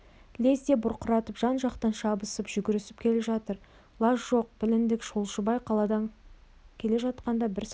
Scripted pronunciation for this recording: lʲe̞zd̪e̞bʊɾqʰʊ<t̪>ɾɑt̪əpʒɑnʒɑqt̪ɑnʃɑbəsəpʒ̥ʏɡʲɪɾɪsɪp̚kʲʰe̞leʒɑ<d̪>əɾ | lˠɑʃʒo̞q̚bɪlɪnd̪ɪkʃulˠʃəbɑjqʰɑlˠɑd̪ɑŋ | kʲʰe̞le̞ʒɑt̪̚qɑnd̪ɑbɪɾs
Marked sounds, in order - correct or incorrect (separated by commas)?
incorrect, incorrect